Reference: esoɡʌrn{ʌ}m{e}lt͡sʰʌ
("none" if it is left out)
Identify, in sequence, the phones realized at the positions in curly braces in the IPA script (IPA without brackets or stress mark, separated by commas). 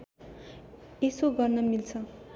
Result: ʌ, i